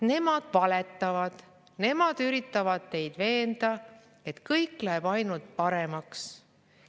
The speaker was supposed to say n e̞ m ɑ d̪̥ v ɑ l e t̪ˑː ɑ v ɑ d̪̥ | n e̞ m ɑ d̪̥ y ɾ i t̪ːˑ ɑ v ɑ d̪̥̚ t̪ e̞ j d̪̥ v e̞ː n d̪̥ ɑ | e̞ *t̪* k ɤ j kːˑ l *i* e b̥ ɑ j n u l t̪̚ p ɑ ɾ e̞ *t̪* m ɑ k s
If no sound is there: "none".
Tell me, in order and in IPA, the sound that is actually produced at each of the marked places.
t̪, æ, none

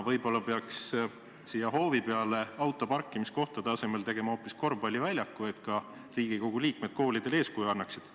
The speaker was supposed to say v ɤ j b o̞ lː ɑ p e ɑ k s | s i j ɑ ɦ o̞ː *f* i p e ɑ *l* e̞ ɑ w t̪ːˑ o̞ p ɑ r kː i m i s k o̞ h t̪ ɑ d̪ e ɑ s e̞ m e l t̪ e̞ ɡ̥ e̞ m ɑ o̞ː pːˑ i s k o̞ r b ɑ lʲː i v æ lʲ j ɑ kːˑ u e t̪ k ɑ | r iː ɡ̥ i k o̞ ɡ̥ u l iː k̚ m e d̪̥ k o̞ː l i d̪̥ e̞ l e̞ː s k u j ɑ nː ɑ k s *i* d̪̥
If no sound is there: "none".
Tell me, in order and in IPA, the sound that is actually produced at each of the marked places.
v, l, i

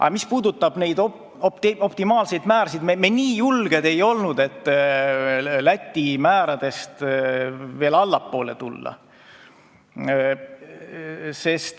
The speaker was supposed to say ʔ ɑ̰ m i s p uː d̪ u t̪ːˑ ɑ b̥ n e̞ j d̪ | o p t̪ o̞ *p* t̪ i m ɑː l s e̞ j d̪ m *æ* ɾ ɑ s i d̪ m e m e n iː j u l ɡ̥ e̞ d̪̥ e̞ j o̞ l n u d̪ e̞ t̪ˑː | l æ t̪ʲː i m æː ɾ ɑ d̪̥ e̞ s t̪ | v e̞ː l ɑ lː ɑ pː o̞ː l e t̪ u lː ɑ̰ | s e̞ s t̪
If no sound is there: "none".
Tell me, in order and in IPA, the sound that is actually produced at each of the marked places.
p, æː

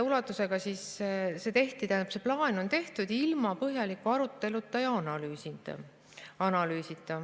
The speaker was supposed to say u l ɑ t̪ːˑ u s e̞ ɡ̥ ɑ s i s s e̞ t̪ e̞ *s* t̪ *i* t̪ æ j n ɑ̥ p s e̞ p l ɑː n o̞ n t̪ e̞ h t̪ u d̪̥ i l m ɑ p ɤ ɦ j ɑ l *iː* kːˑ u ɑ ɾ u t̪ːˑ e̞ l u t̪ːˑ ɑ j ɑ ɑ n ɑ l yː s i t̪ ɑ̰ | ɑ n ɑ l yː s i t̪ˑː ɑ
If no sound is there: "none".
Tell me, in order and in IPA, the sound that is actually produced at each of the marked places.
h, i, i

